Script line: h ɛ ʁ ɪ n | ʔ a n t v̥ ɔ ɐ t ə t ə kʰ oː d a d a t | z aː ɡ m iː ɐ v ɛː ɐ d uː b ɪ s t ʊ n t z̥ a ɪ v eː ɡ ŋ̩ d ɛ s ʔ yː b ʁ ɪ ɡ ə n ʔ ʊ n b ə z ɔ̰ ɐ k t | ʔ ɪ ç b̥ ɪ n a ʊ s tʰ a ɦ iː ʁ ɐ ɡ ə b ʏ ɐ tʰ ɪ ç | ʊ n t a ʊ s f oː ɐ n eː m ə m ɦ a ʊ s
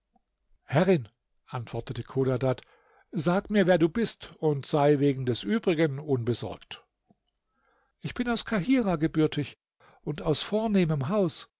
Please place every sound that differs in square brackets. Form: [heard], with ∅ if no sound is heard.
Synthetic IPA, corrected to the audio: h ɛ ʁ ɪ n | ʔ a n t v̥ ɔ ɐ t ə t ə kʰ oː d a d a t | z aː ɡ m iː ɐ v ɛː ɐ d uː b ɪ s t ʊ n t z̥ a ɪ v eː ɡ ŋ̩ d ɛ s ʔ yː b ʁ ɪ ɡ ə n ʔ ʊ n b ə z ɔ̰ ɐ k t | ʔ ɪ ç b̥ ɪ n a ʊ s [kʰ] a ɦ iː ʁ [a] ɡ ə b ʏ ɐ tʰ ɪ ç | ʊ n t a ʊ s f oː ɐ n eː m ə m ɦ a ʊ s